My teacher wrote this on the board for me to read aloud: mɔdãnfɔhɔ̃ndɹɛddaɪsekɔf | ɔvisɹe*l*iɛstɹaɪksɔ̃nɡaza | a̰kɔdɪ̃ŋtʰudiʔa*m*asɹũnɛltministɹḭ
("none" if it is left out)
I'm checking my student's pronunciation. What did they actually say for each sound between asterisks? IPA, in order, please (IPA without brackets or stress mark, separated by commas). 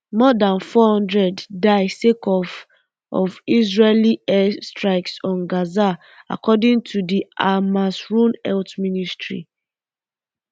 l, m